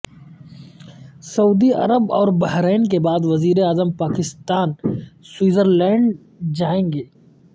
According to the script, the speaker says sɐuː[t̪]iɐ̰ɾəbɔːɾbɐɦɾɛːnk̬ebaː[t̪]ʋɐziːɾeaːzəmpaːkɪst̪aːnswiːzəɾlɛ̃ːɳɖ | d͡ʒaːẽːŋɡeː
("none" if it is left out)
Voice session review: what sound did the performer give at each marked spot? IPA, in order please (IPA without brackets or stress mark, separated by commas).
d̪, d̪